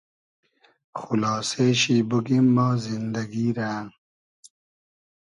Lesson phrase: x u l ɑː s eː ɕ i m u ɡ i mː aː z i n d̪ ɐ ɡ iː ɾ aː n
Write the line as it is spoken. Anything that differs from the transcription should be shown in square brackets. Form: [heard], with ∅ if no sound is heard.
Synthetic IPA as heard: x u l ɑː s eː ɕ i [b] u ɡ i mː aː z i n d̪ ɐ ɡ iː ɾ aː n